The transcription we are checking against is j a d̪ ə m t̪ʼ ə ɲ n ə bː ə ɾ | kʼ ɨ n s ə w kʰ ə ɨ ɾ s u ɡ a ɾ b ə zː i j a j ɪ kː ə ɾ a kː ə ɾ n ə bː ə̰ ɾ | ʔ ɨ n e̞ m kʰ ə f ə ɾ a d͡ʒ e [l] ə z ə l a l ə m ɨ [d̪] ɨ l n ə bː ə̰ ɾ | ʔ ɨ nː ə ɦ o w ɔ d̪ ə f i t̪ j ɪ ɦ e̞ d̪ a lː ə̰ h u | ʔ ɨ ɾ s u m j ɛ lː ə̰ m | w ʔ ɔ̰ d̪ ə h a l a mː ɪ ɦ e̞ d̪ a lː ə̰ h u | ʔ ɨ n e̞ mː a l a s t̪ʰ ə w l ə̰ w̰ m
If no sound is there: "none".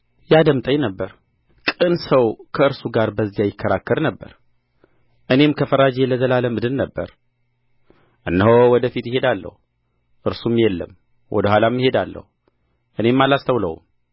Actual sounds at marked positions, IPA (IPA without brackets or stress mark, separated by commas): l, d̪